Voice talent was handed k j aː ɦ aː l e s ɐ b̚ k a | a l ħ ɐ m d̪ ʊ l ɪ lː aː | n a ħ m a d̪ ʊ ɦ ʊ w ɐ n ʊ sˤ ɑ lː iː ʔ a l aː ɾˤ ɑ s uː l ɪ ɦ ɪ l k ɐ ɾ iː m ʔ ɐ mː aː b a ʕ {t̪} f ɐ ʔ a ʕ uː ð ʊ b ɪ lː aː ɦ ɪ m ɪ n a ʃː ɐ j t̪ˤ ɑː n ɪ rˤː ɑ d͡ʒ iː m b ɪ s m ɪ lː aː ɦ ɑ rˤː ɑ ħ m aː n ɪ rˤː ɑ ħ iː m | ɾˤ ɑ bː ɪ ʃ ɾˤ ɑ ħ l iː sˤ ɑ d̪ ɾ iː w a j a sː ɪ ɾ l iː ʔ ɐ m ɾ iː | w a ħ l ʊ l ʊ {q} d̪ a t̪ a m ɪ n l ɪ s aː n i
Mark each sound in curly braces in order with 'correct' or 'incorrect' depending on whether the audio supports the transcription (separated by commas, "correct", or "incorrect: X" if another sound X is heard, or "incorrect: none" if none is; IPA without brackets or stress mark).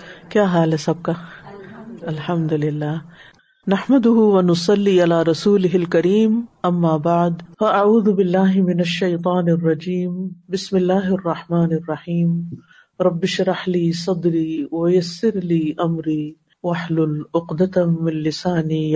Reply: incorrect: d̪, correct